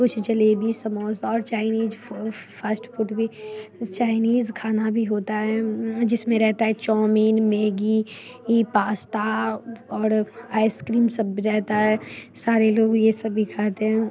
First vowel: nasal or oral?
oral